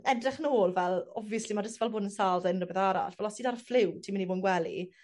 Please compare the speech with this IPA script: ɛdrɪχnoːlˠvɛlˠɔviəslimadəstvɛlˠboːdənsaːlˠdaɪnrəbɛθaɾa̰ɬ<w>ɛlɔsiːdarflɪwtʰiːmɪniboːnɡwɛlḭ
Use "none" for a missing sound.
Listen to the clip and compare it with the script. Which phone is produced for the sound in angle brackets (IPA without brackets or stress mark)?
v